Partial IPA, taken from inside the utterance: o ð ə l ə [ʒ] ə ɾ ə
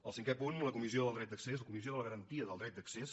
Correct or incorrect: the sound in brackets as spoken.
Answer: incorrect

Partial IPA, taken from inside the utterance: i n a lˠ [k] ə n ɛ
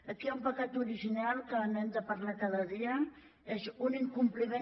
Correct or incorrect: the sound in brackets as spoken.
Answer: correct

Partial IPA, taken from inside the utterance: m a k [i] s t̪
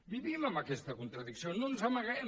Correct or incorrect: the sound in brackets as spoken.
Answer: incorrect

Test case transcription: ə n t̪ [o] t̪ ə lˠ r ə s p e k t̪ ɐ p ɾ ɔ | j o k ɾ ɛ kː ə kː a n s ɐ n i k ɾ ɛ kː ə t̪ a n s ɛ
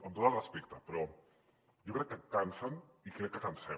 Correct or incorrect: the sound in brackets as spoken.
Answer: correct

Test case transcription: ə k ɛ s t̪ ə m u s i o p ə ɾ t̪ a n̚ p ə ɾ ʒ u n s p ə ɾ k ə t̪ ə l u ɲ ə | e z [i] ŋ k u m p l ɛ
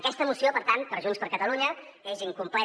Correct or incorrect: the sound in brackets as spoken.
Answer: correct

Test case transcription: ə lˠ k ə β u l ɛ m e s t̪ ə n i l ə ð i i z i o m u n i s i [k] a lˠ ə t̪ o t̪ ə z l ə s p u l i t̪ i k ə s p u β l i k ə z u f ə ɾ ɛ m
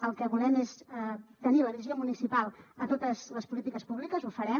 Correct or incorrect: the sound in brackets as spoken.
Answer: incorrect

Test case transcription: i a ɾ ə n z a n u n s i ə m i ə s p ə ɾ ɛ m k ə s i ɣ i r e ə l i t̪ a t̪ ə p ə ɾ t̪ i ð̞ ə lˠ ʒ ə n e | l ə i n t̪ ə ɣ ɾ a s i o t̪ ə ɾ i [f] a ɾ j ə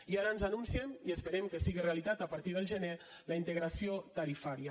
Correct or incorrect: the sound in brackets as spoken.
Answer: correct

